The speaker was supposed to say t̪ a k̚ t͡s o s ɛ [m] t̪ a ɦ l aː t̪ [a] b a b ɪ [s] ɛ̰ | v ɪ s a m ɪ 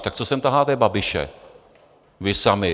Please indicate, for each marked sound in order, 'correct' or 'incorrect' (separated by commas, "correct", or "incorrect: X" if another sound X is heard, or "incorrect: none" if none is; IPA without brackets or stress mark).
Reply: correct, incorrect: ɛ, incorrect: ʃ